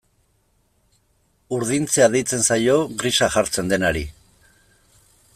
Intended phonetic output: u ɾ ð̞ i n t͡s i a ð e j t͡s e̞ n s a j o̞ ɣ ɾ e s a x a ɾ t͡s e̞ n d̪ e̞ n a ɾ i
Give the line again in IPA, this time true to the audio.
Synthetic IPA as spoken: u ɾ ð̞ i n t͡s e a ð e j t͡s e̞ n s a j o̞ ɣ ɾ i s a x a ɾ t͡s e̞ n d̪ e̞ n a ɾ i